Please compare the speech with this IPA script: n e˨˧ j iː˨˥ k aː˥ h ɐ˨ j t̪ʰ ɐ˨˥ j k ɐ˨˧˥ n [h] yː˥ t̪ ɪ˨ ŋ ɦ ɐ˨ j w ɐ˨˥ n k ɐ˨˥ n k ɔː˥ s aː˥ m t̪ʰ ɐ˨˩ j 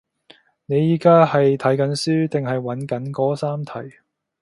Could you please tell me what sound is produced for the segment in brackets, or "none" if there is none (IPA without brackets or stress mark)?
s